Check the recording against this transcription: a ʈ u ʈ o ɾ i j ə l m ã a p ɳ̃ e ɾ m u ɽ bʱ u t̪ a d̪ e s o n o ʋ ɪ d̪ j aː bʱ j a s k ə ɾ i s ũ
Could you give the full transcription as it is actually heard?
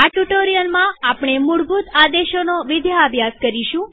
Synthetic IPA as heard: a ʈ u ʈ o ɾ i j ə l m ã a p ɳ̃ e m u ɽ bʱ u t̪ a d̪ e ʃ o n o ʋ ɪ d̪ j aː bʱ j a s k ə ɾ i ʃ ũ